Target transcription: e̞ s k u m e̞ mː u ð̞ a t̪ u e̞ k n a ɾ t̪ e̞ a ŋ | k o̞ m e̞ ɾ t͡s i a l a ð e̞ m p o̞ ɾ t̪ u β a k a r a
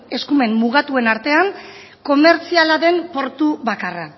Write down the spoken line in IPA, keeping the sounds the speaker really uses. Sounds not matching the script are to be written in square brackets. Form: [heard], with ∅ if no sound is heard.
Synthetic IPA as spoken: e̞ s k u m e̞ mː u [ɣ̞] a t̪ u e̞ [∅] n a ɾ t̪ e̞ a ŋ | k o̞ m e̞ ɾ t͡s i a l a ð e̞ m p o̞ ɾ t̪ u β a k a r a